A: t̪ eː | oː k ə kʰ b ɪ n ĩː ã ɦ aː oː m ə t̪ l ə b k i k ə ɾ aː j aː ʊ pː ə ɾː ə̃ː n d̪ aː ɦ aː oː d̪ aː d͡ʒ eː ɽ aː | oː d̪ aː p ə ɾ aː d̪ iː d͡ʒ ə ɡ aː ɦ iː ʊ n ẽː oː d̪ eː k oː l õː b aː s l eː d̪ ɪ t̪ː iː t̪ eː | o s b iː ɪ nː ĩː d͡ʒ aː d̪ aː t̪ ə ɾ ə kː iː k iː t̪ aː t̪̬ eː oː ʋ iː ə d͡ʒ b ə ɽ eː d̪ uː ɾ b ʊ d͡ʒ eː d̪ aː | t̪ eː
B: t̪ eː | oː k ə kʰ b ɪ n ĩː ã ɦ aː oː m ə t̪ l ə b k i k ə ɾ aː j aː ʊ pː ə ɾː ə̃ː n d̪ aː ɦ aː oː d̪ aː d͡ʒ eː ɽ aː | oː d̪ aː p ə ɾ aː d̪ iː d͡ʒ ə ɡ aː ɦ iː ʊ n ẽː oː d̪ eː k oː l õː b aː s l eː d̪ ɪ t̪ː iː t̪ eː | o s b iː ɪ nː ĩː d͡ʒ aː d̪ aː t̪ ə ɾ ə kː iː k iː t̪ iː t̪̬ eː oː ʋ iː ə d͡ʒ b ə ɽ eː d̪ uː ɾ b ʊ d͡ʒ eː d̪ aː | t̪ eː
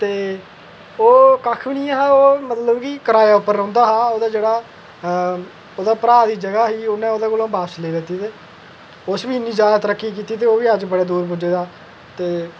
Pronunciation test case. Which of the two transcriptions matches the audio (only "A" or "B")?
B